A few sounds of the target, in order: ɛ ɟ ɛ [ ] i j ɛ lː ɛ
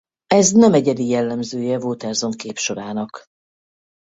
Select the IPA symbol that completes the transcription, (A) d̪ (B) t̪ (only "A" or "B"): A